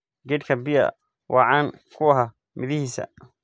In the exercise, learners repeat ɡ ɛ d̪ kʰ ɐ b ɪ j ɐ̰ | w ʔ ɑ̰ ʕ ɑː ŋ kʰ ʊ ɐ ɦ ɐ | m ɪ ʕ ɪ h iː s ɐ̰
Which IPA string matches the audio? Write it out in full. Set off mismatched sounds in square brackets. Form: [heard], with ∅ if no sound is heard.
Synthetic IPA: ɡ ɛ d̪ kʰ ɐ b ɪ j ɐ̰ | w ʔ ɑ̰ ʕ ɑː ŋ kʰ ʊ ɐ ɦ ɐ | m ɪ [ð] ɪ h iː s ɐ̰